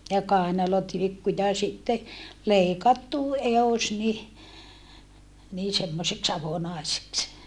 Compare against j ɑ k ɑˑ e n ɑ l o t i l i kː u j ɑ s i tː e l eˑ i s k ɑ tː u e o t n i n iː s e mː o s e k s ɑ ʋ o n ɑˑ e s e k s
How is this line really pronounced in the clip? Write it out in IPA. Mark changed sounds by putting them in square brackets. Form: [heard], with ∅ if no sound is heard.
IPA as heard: j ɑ k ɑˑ e n ɑ l o t i l i kː u j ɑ s i tː e l eˑ i [∅] k ɑ tː u e o [s] n i n iː s e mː o s e k s ɑ ʋ o n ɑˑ e s e k s